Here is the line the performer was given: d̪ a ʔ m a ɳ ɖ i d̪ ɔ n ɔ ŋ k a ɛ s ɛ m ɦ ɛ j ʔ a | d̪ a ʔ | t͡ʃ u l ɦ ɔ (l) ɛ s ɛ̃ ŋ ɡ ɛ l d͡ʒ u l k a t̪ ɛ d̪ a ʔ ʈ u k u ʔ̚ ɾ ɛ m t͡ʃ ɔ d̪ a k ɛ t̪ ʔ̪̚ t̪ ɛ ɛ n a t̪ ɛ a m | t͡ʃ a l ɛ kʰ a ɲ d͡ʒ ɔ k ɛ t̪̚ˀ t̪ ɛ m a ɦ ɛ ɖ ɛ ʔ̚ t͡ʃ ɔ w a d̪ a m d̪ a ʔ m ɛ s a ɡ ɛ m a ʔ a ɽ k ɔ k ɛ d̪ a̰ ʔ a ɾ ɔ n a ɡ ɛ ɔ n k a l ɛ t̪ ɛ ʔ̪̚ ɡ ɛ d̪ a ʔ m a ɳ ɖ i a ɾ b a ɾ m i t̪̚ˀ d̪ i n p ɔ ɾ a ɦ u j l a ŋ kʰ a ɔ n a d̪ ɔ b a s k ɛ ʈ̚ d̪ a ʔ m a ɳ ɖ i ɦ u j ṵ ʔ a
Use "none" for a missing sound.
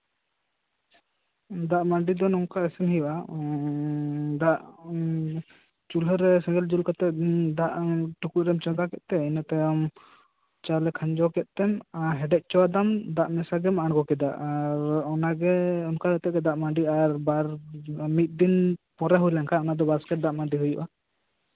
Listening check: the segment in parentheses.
ɾ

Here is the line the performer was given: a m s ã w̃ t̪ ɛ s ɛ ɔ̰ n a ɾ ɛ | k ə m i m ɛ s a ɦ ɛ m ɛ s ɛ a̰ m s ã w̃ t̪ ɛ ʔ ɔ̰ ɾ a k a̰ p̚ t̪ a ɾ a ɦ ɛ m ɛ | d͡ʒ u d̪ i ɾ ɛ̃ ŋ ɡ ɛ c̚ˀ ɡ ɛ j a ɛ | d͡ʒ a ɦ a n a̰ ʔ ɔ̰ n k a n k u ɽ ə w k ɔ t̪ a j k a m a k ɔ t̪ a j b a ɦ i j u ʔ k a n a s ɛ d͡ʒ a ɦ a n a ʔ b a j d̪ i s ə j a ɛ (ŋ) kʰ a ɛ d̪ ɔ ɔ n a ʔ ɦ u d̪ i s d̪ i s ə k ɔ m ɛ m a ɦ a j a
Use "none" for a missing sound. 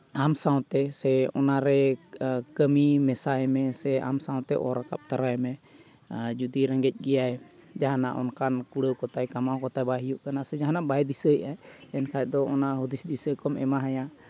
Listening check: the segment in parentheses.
n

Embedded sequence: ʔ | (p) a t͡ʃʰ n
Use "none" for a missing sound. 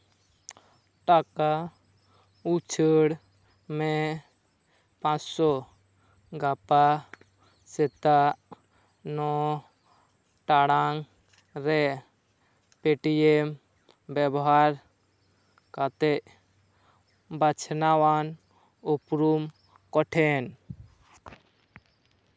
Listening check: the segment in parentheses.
b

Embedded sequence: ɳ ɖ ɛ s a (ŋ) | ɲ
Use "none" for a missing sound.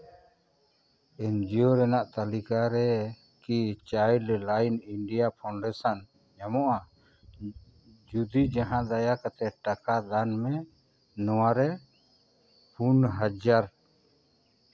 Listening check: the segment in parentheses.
n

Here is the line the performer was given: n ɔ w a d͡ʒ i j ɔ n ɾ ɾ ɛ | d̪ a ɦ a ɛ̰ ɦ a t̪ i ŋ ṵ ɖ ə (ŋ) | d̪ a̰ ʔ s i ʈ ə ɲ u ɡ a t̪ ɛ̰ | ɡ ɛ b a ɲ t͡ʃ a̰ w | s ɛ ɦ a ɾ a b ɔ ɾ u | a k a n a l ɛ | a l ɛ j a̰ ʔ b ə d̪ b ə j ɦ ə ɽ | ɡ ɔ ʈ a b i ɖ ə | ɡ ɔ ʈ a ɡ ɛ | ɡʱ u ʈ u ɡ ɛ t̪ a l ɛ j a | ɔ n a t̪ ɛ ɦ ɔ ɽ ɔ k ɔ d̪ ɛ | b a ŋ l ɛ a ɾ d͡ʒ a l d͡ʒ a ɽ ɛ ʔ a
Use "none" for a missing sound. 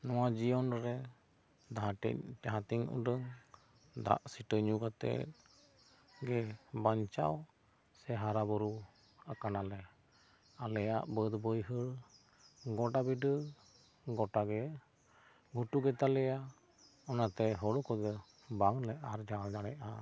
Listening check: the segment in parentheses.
ŋ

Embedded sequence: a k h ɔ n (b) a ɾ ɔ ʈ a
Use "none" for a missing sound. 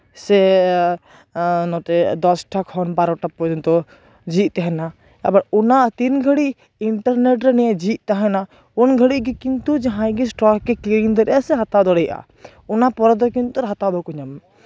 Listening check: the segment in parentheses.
b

